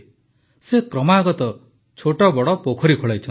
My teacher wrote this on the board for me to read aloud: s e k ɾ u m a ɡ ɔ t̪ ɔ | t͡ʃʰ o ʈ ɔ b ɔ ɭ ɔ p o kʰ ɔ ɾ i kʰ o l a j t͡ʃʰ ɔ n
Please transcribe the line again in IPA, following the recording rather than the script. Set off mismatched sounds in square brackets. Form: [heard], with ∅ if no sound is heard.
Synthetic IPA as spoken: s e k ɾ [ɔ] m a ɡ ɔ t̪ ɔ | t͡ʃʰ o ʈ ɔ b ɔ [ɽ] ɔ p o kʰ ɔ ɾ i kʰ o [ɭ] a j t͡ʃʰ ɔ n